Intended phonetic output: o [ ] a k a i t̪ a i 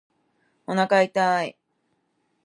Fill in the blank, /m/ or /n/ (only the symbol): n